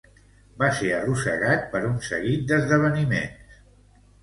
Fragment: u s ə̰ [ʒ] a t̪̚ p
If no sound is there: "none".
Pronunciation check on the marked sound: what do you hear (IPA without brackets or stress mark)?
ɣ